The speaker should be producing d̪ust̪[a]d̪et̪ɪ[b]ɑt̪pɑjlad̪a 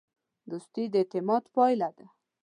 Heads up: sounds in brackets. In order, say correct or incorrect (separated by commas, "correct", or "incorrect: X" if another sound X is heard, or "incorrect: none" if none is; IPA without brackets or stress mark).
incorrect: i, incorrect: m